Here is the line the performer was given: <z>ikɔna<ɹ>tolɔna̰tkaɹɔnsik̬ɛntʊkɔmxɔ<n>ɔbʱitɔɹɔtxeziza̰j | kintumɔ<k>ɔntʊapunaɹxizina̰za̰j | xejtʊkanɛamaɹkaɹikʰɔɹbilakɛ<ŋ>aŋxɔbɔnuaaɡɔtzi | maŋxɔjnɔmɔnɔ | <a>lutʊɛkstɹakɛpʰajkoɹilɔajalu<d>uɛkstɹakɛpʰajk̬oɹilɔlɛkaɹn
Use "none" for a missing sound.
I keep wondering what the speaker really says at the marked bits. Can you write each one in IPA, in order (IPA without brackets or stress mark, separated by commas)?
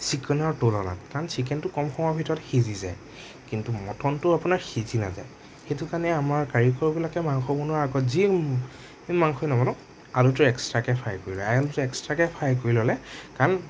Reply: s, ɹ, ŋ, t, m, a, t